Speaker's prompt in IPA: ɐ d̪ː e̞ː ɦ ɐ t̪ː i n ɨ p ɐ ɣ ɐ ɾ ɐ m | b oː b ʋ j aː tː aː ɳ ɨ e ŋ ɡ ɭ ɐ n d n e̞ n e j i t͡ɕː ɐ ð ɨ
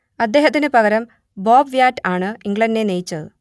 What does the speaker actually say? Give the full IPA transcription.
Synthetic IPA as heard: ɐ d̪ː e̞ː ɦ ɐ t̪ː i n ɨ p ɐ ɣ ɐ ɾ ɐ m | b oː b ʋ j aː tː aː ɳ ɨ i ŋ ɡ ɭ ɐ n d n e̞ n e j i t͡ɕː ɐ ð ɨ